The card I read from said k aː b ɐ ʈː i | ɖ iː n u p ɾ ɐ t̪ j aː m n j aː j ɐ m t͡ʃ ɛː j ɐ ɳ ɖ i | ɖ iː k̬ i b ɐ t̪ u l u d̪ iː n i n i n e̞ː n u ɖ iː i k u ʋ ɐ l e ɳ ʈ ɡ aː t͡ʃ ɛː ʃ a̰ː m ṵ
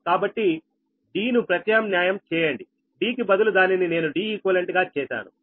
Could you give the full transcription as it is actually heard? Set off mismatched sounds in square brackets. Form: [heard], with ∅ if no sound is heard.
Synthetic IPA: k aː b ɐ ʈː i | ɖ iː n u p ɾ ɐ t̪ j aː m n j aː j ɐ m t͡ʃ ɛː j ɐ ɳ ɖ i | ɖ iː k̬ i b ɐ [d̪] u l u d̪ [aː] n i n i n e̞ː n u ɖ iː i k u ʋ ɐ l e ɳ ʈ ɡ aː t͡ʃ ɛː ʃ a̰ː [n] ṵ